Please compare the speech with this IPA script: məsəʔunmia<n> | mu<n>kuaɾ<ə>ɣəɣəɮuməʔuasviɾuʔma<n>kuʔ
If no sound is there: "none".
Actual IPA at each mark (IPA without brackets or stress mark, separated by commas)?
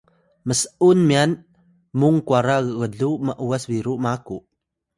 n, ŋ, a, none